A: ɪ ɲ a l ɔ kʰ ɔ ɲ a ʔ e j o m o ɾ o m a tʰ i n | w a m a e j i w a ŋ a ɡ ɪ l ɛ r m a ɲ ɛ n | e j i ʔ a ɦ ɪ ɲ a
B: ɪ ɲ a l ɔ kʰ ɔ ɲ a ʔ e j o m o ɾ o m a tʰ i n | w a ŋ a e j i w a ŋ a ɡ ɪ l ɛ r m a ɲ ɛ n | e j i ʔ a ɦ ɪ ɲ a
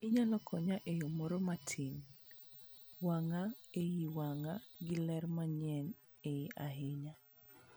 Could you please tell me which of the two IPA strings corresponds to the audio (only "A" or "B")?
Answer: B